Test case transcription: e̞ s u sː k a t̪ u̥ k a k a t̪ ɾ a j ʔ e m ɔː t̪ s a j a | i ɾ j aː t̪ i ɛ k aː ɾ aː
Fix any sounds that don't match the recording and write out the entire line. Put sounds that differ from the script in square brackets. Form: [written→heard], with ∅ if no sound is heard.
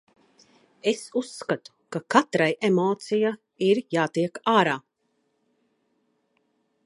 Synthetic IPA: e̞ s u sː k a t̪ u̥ k a k a t̪ ɾ a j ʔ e m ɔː t̪ s [a→i] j a | i ɾ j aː t̪ i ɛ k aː ɾ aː

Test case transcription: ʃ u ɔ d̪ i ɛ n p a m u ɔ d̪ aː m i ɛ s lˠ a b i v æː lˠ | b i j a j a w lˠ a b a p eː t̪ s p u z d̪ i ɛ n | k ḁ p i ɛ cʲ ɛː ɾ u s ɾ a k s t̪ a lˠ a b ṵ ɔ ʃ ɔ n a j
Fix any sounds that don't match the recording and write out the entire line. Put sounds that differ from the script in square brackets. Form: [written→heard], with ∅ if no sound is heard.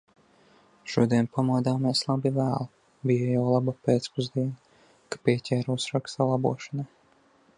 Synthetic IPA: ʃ u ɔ d̪ i ɛ n p a m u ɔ d̪ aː m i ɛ s lˠ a b i v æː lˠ | b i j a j a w lˠ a b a p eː t̪ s p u z d̪ i ɛ n | k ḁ p i ɛ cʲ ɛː ɾ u s ɾ a k s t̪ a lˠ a b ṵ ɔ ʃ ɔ n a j

